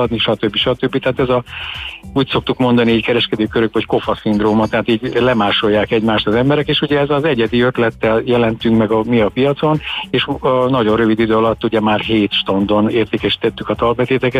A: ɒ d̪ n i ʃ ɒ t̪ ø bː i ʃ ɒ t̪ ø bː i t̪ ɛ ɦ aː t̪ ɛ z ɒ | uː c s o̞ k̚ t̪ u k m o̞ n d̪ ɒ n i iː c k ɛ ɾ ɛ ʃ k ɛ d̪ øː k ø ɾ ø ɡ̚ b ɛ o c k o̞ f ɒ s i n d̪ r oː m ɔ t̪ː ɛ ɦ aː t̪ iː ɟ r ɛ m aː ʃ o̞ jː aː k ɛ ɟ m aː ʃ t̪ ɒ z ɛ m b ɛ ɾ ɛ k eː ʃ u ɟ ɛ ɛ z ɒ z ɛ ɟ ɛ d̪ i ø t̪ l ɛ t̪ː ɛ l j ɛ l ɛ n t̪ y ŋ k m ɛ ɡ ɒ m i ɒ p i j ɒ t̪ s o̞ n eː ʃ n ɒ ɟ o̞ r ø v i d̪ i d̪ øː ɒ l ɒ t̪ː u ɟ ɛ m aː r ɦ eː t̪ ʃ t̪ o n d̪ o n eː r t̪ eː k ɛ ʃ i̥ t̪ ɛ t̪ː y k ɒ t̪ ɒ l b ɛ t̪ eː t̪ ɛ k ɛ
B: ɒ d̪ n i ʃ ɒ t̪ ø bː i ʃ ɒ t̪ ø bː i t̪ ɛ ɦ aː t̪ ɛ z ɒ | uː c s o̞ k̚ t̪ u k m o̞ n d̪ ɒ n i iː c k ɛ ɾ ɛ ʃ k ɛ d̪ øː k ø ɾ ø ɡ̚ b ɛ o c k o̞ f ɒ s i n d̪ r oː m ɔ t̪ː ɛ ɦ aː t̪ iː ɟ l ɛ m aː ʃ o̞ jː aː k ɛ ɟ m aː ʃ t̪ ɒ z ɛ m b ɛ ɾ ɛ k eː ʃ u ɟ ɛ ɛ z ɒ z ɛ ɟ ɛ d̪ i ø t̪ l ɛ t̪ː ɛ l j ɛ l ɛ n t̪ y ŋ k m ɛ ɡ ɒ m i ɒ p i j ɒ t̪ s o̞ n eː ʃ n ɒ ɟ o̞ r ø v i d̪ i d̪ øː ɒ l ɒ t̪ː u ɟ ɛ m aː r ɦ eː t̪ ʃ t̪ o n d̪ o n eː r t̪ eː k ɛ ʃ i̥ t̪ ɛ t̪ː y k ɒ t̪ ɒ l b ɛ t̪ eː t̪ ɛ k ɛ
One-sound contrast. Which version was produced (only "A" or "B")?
B